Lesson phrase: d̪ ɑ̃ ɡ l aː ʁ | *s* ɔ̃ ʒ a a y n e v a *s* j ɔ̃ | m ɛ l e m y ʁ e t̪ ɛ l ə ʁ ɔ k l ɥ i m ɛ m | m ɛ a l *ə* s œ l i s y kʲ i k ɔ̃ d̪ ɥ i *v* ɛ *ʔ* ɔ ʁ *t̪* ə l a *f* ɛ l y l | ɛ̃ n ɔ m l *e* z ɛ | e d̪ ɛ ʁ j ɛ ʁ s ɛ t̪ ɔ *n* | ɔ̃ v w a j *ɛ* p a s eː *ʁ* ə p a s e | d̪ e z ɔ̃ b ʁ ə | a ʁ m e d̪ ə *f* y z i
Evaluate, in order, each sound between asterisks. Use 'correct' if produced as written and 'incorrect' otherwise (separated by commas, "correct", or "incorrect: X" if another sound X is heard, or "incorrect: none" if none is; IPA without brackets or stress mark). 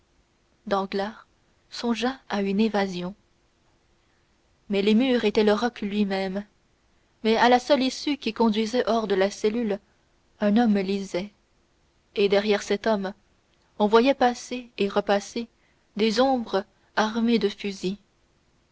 correct, incorrect: z, incorrect: a, incorrect: z, correct, incorrect: d̪, incorrect: s, incorrect: i, incorrect: m, correct, correct, correct